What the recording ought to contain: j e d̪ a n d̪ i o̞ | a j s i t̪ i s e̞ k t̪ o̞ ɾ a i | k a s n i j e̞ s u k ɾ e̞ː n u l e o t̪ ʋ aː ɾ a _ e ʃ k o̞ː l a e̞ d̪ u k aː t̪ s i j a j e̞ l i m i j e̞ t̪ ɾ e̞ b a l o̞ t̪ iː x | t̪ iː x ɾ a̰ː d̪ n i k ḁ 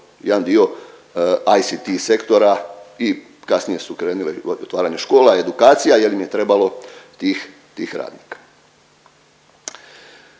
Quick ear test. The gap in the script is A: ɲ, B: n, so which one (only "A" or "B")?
A